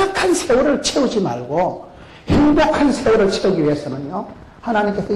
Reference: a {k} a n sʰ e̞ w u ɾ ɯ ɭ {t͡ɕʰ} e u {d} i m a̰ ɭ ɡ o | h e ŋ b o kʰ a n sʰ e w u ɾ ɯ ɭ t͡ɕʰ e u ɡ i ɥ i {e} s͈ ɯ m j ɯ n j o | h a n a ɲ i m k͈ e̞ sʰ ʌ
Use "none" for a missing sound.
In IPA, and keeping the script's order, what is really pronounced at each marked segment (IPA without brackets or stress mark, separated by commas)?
kʰ, t͡ɕʰ, d͡ʑ, e